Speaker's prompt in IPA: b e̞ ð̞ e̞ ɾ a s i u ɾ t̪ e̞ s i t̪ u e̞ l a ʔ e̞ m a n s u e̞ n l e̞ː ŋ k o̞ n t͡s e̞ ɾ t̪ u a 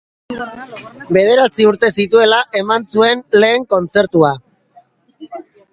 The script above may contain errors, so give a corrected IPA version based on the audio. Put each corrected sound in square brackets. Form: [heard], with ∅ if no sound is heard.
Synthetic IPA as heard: b e̞ ð̞ e̞ ɾ a [t͡s] i u ɾ t̪ e̞ s i t̪ u e̞ l a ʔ e̞ m a n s u e̞ n l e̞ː ŋ k o̞ n t͡s e̞ ɾ t̪ u a